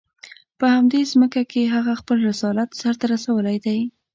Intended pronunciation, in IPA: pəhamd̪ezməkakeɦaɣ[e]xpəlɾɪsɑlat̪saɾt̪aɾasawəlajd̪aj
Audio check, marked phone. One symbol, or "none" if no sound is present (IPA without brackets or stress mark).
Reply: a